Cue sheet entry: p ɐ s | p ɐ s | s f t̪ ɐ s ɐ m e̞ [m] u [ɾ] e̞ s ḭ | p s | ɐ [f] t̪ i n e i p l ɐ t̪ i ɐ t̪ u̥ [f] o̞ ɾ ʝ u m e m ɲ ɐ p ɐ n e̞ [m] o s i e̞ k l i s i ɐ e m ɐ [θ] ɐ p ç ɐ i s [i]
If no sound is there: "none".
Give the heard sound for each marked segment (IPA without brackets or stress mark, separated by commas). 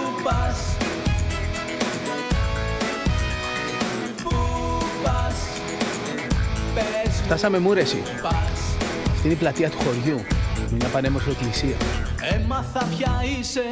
m, ɾ, f, x, m, θ, e